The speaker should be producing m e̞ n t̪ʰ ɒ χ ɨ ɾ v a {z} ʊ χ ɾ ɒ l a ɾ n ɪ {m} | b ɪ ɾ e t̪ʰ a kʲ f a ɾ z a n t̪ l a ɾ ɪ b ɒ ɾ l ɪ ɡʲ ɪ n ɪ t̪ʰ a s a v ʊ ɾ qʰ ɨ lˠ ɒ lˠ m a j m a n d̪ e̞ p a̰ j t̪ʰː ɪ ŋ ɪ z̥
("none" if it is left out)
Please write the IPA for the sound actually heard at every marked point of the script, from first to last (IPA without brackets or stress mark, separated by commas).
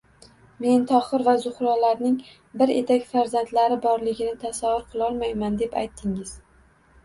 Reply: z, ŋ